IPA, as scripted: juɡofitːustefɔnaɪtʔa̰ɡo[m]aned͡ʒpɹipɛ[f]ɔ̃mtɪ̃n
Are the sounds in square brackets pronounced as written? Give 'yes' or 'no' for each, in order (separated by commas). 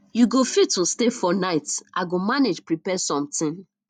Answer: yes, no